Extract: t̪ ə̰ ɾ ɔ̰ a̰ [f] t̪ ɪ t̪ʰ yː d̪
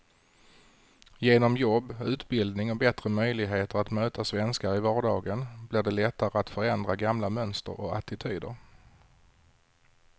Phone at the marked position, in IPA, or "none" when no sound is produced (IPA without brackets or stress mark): none